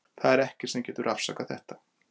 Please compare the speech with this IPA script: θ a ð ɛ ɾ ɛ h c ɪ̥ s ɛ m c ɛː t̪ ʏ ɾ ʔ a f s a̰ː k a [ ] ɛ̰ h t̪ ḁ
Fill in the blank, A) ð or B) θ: B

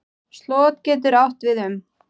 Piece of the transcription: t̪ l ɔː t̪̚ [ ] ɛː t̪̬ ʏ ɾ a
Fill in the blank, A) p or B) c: B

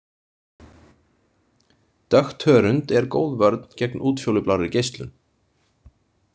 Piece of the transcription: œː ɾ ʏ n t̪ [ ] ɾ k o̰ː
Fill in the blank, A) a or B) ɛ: B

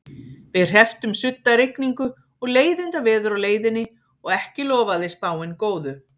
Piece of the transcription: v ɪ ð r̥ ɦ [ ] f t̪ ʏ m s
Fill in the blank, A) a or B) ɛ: B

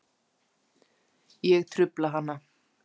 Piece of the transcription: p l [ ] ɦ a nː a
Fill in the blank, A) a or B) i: A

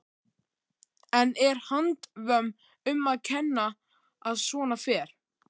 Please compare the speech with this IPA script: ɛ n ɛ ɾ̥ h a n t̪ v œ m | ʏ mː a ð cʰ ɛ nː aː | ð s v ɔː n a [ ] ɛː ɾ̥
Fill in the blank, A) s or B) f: B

